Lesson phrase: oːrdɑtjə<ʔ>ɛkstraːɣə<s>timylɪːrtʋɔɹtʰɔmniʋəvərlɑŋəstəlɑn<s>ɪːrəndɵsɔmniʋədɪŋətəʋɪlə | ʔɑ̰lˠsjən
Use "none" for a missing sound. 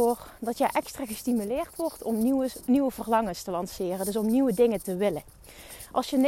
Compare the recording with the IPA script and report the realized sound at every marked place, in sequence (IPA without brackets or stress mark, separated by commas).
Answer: ʔ, s, s